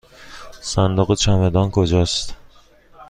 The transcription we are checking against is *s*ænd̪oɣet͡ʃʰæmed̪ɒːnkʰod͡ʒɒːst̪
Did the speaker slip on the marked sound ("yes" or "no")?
no